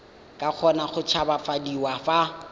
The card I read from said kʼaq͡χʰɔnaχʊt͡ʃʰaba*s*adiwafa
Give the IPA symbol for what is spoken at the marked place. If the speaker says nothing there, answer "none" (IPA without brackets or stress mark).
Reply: f